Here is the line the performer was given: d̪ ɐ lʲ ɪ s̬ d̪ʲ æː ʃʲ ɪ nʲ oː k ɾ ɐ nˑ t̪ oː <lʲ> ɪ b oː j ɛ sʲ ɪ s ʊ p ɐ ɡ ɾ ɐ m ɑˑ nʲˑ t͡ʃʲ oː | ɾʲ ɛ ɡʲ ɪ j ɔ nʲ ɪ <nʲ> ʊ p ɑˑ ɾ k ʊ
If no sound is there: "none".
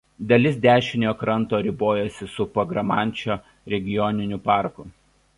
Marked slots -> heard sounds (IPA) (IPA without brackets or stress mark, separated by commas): ɾʲ, nʲ